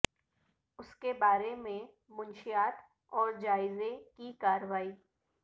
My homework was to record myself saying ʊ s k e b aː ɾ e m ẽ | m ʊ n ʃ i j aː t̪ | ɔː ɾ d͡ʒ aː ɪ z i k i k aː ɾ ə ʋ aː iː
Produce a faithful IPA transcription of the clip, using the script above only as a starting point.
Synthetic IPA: ʊ s k e b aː ɾ e m ẽ | m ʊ n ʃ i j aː t̪ | ɔː ɾ d͡ʒ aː ɪ z e k i k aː ɾ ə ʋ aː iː

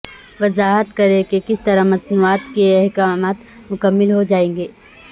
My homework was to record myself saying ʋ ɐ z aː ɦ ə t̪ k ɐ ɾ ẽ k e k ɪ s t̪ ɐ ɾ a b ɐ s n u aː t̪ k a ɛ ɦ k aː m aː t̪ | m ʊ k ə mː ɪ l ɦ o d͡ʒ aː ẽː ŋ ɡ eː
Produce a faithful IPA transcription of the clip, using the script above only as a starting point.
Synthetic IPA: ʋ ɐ z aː ɦ ə t̪ k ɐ ɾ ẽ k e k ɪ s t̪ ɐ ɾ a m ɐ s n u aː t̪ k e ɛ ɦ k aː m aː t̪ | m ʊ k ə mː ɪ l ɦ o d͡ʒ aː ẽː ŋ ɡ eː

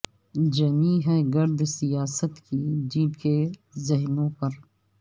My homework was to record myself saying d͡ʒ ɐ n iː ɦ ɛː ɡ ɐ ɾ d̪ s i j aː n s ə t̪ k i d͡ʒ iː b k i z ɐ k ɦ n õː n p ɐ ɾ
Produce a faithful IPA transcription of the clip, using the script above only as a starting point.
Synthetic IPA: d͡ʒ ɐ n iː ɦ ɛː ɡ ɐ ɾ d̪ s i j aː s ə t̪ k i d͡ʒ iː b k e z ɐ ɦ n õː p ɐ ɾ

